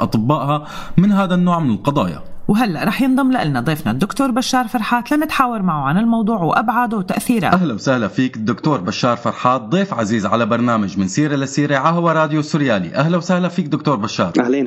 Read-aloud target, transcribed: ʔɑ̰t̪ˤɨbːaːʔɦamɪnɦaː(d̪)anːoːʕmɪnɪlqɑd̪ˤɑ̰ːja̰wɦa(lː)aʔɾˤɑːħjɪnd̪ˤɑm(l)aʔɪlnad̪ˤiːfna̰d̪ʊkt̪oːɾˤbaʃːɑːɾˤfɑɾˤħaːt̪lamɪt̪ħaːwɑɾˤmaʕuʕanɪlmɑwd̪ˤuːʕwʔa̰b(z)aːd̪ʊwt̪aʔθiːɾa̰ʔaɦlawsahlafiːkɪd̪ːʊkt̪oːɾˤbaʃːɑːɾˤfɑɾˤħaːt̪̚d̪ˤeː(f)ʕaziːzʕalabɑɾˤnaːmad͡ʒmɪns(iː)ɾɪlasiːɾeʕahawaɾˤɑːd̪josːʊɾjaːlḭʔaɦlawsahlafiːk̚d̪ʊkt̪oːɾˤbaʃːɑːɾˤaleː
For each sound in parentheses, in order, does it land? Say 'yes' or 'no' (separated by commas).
yes, yes, yes, no, yes, yes